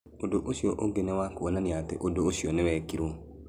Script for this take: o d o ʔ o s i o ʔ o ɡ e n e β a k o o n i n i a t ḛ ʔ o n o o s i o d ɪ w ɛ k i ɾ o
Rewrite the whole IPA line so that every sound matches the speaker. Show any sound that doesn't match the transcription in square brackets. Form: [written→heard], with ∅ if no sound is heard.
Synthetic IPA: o d o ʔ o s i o ʔ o ɡ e n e [β→w] a k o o n [i→a] n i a t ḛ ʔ o [n→d] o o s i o [d→n] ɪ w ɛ k i ɾ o